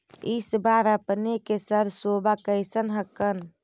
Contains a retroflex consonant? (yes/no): no